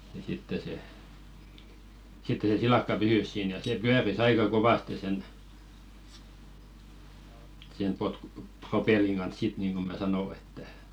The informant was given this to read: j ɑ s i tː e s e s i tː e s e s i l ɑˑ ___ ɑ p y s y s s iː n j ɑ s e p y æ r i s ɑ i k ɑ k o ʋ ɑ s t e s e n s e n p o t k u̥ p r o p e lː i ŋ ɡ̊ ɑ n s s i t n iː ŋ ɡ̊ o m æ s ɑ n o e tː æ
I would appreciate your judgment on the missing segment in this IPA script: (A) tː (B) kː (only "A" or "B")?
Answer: B